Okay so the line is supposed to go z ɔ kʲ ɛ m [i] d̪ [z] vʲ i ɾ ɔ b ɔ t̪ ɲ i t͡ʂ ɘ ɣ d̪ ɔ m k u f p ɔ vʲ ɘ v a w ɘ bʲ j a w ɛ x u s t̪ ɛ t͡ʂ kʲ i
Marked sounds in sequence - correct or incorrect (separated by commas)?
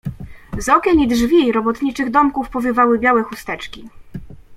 correct, incorrect